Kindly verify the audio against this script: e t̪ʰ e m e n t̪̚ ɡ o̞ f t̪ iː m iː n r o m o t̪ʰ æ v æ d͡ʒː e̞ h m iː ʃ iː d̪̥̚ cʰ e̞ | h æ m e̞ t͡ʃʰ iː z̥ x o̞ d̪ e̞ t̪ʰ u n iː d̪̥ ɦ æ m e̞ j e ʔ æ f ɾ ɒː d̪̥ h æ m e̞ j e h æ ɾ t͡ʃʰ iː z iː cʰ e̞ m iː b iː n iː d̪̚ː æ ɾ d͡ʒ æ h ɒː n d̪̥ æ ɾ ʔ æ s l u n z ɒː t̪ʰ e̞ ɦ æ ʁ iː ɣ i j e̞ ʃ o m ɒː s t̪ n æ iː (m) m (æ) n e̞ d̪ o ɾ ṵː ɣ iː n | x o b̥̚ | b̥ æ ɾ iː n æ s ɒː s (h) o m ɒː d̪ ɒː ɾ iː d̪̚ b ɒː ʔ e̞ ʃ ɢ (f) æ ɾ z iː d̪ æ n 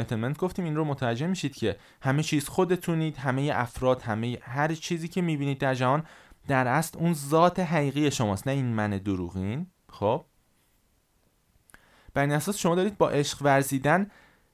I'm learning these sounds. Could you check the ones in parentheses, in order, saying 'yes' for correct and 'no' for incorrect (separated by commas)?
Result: no, yes, no, no